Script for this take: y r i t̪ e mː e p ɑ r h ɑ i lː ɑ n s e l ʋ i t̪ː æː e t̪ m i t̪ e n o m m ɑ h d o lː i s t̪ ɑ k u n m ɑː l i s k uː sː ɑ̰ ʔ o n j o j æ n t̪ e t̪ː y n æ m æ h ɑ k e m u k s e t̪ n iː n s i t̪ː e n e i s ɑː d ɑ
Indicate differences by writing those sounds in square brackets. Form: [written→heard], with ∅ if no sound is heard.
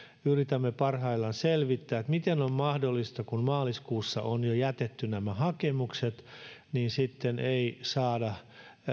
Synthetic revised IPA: y r i t̪ [e→æ] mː e p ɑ r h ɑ i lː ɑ n s e l ʋ i t̪ː æː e t̪ m i t̪ e n o m m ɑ h d o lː i s t̪ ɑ k u n m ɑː l i s k uː sː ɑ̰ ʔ o n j o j æ [n→∅] t̪ e t̪ː y n æ m æ h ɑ k e m u k s e t̪ n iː n s i t̪ː e n e i s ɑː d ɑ